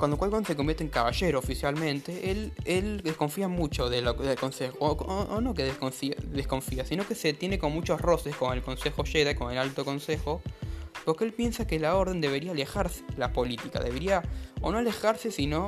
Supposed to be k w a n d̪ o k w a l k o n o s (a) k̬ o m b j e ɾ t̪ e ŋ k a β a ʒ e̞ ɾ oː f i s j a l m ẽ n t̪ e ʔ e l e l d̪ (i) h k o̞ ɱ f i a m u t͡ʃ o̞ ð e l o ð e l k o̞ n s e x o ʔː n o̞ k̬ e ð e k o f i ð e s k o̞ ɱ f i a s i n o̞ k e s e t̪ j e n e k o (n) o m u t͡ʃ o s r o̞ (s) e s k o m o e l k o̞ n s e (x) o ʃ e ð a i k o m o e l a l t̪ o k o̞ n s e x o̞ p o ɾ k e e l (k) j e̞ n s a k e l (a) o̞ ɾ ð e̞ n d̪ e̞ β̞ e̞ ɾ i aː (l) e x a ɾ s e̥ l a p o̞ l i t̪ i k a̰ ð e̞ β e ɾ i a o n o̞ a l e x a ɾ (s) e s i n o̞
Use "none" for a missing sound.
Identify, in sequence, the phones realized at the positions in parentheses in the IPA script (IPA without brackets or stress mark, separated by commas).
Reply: e, e, m, s, x, p, a, l, s